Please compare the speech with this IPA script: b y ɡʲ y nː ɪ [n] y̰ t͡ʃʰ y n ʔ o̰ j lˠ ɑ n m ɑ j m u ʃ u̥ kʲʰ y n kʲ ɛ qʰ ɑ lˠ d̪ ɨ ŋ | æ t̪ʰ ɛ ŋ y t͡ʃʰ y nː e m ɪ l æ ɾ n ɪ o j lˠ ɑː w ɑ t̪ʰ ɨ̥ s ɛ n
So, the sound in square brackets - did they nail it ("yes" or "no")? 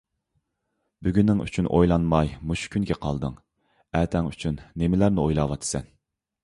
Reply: no